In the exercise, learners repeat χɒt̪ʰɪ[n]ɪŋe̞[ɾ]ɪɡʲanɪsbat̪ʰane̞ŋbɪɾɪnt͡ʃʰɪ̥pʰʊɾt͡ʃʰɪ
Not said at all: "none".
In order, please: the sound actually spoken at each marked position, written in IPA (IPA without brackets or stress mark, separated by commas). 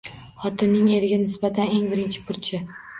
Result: nː, ɾ